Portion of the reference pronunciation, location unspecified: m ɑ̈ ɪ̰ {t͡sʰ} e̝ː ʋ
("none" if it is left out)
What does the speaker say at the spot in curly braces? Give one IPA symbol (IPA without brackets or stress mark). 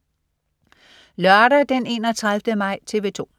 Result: t͡sʰ